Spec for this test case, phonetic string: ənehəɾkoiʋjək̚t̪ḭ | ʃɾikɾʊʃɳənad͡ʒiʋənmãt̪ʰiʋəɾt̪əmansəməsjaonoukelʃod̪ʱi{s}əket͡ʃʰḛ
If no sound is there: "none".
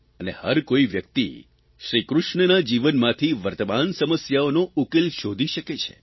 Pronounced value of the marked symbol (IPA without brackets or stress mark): ʃ